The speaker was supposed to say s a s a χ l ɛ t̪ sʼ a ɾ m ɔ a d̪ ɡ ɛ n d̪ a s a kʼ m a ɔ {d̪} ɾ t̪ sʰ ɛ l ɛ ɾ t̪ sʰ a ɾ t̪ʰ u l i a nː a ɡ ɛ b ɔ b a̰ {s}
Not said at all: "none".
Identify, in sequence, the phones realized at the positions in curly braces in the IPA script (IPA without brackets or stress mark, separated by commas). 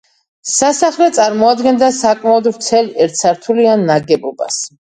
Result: d̪, s